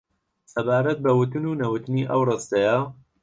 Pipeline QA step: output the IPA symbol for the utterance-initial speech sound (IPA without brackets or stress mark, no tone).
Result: s